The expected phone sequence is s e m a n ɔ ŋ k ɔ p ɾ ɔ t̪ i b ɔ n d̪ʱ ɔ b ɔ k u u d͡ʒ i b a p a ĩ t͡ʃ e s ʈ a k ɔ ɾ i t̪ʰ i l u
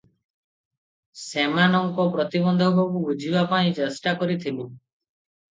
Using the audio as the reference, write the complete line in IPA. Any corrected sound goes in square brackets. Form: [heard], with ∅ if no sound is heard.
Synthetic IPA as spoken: s e m a n ɔ ŋ k ɔ p ɾ ɔ t̪ i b ɔ n d̪ʱ ɔ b ɔ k u u d͡ʒ i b a p a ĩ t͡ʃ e s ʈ a k ɔ ɾ i t̪ʰ i l u